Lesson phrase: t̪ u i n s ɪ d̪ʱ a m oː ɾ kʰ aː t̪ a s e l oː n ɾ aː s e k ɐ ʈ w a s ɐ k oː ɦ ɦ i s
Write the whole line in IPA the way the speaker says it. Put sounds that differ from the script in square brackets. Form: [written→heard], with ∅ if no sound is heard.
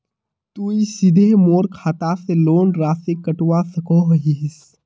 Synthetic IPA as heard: t̪ u i [n→∅] s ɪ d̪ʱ [a→e] m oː ɾ kʰ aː t̪ a s e l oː n ɾ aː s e k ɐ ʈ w a s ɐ k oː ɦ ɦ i s